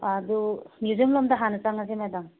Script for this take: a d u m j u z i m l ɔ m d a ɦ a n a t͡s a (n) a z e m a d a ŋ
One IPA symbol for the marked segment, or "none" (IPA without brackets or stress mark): ŋ